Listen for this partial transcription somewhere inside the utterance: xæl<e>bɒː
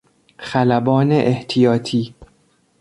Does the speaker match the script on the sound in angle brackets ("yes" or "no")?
no